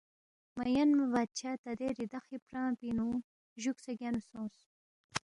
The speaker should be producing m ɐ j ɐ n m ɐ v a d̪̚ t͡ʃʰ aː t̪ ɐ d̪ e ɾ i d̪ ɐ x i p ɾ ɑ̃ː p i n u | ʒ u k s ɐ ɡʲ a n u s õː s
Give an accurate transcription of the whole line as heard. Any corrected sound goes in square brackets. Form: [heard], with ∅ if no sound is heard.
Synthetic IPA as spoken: m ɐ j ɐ n m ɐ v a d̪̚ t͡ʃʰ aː t̪ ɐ d̪ e ɾ i d̪ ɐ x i p ɾ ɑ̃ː p i n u | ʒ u k s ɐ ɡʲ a n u s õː s